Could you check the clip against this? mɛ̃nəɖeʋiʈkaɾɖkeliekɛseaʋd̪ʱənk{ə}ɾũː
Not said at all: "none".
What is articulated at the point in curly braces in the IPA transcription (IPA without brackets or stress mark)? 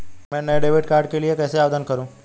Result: ə